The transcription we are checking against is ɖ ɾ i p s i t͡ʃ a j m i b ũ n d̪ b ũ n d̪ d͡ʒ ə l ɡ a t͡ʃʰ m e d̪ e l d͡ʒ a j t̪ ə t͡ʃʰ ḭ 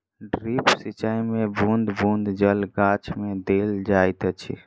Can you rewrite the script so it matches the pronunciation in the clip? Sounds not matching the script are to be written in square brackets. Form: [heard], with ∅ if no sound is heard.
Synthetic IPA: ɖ ɾ i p s i t͡ʃ a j m [e] b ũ n d̪ b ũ n d̪ d͡ʒ ə l ɡ a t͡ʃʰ m e d̪ e l d͡ʒ a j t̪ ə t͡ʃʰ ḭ